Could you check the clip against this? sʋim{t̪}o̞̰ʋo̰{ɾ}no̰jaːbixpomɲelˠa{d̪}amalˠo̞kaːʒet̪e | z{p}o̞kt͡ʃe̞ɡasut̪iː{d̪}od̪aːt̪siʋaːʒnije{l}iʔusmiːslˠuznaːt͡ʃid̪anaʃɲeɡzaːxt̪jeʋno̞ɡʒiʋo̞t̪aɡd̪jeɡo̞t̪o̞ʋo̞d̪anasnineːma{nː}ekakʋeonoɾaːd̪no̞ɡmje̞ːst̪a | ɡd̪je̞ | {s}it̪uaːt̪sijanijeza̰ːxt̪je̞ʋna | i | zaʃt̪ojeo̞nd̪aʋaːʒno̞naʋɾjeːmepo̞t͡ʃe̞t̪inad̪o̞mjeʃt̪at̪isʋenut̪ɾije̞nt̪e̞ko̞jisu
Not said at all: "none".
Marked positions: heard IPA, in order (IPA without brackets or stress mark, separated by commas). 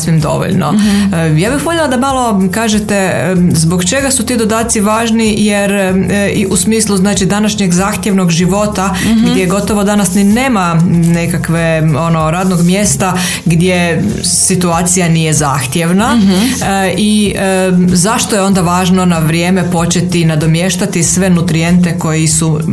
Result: d̪, ʎ, d̪, b, d̪, ɾ, n, s